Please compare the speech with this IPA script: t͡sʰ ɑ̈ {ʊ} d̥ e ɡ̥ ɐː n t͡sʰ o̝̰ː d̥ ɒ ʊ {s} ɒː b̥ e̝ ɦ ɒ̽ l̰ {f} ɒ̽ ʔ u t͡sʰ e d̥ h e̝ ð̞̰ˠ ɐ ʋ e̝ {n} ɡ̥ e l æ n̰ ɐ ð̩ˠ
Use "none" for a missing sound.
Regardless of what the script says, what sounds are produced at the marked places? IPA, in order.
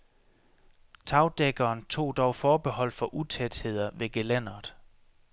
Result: ʊ, f, f, none

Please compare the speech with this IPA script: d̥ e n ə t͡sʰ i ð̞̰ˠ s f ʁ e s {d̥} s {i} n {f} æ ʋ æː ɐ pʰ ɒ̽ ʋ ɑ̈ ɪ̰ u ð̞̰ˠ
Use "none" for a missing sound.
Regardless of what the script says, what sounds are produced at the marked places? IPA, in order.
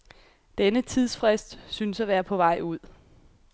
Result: d̥, y, s

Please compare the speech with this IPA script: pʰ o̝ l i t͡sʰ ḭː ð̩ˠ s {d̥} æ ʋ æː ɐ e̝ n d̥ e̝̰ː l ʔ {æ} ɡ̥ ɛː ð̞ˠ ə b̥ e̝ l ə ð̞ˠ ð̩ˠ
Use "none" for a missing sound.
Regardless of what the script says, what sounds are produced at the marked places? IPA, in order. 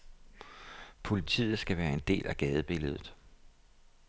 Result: ɡ̥, æ

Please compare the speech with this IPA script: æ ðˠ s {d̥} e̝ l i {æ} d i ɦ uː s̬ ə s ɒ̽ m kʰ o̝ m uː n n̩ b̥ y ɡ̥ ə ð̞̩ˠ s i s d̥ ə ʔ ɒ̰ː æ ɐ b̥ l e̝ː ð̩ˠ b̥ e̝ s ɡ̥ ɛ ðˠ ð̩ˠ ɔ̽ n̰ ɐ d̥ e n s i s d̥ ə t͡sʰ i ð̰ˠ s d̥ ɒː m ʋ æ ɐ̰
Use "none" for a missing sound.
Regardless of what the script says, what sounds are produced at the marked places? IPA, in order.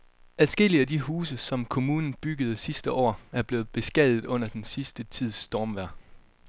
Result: ɡ̥, æ

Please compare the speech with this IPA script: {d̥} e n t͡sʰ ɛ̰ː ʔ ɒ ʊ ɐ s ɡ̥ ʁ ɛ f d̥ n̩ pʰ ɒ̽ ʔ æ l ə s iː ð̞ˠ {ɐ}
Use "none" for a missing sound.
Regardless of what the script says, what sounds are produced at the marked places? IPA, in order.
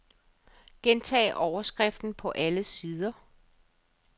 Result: ɡ̥, ɐ

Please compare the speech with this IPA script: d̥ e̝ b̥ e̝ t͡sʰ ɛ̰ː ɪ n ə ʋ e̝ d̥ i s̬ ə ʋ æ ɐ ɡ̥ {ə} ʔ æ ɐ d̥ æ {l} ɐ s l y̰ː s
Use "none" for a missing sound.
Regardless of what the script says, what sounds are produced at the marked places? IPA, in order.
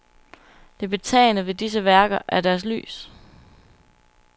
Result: ɐ, none

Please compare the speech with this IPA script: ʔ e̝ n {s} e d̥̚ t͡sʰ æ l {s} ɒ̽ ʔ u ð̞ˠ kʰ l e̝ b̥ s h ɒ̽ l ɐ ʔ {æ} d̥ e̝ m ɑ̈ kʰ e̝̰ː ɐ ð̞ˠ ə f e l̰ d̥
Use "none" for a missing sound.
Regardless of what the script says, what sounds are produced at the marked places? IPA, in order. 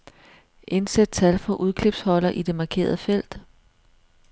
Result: s, f, i

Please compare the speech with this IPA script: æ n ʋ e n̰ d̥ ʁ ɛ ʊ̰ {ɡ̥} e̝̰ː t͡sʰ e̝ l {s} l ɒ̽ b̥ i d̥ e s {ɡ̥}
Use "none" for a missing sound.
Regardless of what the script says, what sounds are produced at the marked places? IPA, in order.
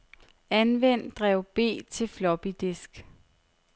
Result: b̥, f, ɡ̥

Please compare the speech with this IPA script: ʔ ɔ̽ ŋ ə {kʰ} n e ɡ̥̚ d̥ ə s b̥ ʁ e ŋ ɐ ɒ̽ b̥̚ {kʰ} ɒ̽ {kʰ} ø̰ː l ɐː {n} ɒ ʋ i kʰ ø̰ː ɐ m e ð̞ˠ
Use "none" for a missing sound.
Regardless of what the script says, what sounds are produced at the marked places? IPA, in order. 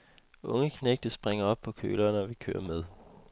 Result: kʰ, pʰ, kʰ, n

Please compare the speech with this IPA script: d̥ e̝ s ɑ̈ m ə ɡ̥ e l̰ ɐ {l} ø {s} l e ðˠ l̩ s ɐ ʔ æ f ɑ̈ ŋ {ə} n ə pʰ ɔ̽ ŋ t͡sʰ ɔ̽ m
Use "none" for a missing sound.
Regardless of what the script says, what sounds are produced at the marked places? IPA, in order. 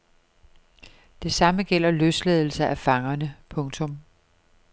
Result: l, s, ɐ

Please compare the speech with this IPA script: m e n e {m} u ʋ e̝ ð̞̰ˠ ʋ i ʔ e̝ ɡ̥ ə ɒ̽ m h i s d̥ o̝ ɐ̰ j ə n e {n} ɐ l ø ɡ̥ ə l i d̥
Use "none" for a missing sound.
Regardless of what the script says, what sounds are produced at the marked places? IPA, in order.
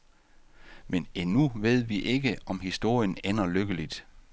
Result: n, n

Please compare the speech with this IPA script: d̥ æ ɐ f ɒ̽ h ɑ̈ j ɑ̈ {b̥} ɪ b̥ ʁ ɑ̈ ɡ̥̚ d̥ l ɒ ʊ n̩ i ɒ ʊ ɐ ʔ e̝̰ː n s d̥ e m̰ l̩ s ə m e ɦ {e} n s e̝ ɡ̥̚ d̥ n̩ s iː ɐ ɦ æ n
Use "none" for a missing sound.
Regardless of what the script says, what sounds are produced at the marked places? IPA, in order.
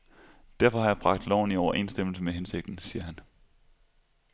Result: none, e

